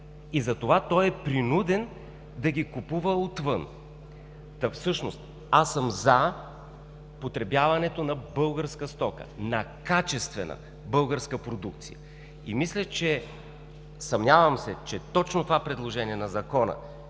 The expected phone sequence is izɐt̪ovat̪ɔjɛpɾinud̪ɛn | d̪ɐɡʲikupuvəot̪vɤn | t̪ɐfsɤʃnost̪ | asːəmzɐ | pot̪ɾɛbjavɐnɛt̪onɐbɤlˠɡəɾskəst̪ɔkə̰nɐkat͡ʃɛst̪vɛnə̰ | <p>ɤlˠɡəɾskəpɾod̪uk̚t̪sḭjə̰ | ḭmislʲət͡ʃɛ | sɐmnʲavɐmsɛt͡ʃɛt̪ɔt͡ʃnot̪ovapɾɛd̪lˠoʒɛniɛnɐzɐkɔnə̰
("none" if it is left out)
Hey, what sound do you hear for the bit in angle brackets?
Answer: b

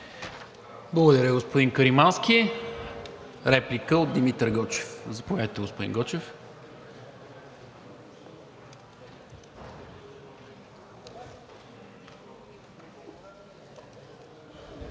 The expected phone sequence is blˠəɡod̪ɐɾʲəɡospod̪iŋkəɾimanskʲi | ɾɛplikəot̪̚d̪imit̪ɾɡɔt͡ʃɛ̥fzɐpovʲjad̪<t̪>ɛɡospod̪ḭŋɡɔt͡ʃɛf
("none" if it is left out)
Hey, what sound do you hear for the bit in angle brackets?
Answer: t̪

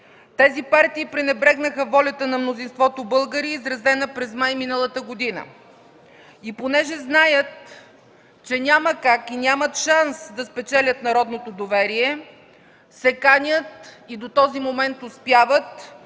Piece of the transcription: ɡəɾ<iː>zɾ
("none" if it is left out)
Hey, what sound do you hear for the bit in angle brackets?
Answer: iː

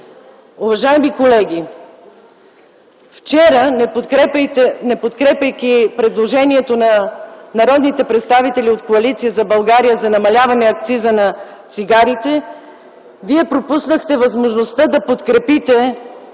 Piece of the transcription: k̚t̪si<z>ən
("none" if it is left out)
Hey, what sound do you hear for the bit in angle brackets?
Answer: z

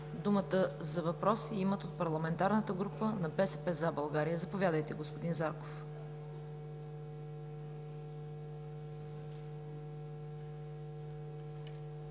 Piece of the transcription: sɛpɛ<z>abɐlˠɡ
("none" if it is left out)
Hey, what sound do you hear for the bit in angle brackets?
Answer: z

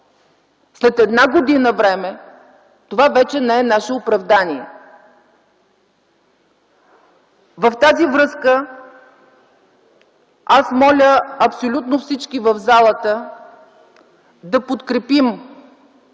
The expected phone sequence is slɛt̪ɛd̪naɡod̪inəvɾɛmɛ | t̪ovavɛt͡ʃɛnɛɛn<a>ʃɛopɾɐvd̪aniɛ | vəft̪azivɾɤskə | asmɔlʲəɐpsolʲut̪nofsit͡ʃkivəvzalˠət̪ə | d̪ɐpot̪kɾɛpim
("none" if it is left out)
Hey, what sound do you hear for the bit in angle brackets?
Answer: a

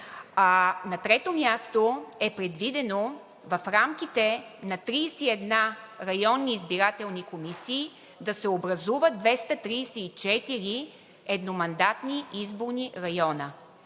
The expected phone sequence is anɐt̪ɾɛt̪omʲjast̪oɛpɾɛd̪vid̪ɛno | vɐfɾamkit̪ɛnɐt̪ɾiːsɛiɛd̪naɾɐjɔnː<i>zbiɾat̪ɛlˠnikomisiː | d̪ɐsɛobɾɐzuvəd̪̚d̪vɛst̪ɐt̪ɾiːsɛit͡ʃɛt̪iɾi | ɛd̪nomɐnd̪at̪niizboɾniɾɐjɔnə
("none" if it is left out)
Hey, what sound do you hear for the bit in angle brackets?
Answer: iː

